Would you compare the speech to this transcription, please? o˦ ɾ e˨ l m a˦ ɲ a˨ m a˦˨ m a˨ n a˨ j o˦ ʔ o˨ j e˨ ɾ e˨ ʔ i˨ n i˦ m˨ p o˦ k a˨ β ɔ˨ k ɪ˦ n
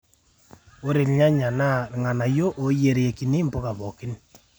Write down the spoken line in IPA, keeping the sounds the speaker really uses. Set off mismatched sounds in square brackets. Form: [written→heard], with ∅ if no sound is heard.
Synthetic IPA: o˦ ɾ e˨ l [m→ɲ] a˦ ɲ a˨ [m→n] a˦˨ [m→ŋ] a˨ n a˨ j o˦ ʔ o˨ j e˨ ɾ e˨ [ʔ→k] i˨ n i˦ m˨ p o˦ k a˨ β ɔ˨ k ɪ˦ n